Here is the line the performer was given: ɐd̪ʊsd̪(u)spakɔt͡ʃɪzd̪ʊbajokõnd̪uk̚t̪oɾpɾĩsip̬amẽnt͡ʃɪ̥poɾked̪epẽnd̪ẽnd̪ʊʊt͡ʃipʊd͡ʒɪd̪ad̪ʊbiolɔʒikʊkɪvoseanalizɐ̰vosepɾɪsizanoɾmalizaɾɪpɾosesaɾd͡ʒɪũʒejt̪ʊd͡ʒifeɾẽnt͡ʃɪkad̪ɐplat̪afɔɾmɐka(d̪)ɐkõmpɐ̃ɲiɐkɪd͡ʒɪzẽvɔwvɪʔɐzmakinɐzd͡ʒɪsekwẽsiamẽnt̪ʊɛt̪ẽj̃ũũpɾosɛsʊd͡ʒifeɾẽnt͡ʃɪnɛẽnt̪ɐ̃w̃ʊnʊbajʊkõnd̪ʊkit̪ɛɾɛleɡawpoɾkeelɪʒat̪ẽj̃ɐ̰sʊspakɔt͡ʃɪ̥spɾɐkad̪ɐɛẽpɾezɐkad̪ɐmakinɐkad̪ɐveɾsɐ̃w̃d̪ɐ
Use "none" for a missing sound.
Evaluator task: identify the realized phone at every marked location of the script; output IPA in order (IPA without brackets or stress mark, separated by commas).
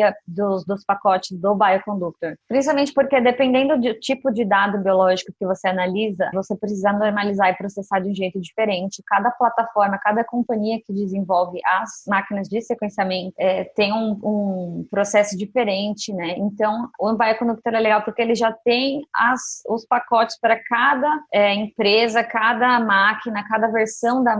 ʊ, d̪